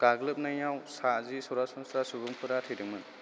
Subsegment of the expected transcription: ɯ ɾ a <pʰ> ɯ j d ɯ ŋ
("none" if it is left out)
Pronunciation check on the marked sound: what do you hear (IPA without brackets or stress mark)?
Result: tʰ